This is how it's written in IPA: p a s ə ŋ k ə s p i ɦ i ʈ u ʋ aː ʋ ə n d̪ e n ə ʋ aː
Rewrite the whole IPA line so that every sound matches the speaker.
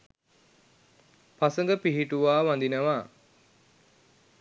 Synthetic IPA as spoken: p a s ə ŋ ɡ ə p i ɦ i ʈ u ʋ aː ʋ a n d̪ i n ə ʋ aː